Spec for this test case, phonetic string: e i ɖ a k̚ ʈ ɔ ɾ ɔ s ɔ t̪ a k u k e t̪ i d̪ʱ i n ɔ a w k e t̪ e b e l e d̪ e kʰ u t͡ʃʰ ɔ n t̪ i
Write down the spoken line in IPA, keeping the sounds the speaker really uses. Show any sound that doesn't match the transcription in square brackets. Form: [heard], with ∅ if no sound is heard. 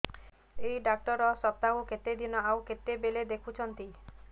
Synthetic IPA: e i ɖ a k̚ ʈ ɔ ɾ ɔ s ɔ t̪ a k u k e t̪ [e] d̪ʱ i n ɔ a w k e t̪ e b e l e d̪ e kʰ u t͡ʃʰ ɔ n t̪ i